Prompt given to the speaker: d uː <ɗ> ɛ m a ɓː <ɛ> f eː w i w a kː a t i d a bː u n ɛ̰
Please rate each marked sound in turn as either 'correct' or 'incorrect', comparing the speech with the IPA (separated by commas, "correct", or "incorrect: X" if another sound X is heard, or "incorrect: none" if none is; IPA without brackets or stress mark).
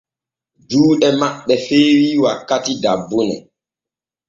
correct, correct